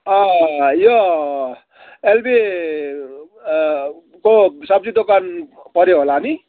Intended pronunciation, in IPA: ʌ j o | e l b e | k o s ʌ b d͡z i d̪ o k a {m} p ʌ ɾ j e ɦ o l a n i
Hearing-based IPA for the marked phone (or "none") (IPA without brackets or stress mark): n